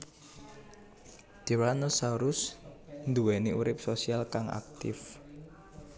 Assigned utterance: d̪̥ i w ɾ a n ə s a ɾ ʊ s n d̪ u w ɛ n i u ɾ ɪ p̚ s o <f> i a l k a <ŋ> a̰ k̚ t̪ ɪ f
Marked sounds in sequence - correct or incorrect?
incorrect, correct

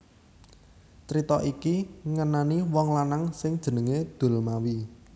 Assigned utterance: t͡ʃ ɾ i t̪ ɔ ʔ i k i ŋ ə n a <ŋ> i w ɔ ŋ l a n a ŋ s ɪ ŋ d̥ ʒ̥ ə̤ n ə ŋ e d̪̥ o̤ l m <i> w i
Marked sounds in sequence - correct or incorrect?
incorrect, incorrect

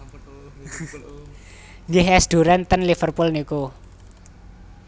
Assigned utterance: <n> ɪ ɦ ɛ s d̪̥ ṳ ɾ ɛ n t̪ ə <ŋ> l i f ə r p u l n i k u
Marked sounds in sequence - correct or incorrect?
incorrect, incorrect

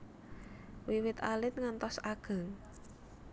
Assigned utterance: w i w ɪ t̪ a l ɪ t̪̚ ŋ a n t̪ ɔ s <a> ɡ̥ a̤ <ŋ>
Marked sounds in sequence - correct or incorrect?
correct, correct

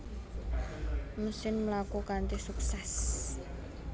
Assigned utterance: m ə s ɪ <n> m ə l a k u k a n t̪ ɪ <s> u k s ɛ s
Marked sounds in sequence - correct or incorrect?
correct, correct

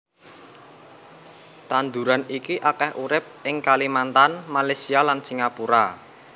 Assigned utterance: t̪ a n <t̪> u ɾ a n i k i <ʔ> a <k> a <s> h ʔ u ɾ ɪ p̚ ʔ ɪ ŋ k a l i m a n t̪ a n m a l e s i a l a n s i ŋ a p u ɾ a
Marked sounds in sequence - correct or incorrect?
incorrect, correct, correct, incorrect

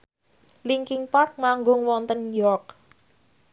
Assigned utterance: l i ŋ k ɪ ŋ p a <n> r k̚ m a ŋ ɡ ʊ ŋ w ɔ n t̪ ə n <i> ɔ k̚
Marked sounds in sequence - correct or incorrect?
incorrect, incorrect

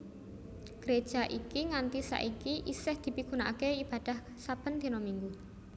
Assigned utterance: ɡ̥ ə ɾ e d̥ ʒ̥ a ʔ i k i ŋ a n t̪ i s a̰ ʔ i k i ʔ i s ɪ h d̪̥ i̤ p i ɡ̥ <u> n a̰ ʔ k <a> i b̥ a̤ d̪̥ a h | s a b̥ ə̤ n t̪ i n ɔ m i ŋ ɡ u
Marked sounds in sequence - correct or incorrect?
correct, incorrect

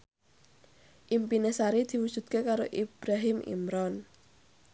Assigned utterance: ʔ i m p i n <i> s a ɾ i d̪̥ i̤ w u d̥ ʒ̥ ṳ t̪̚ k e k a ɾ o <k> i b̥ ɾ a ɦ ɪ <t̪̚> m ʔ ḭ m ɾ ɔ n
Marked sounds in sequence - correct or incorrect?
incorrect, incorrect, incorrect

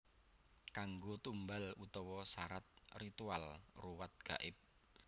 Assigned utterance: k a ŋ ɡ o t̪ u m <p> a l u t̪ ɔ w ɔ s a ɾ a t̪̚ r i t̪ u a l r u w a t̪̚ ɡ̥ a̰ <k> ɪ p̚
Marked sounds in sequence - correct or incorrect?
incorrect, incorrect

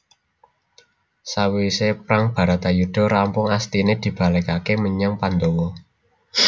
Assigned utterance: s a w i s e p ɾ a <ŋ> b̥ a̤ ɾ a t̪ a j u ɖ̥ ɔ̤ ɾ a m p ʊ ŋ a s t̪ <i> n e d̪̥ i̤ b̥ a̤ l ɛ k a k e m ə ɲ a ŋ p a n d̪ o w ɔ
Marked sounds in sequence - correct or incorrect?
correct, correct

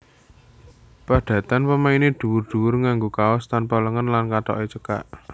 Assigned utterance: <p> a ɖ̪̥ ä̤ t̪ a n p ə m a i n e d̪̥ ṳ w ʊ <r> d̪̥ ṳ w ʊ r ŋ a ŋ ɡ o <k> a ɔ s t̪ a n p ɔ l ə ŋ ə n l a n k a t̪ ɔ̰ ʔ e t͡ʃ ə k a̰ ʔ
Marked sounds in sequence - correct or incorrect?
correct, correct, correct

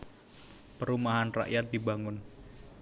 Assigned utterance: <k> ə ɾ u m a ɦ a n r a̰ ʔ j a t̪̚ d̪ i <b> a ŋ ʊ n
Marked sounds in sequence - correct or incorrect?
incorrect, correct

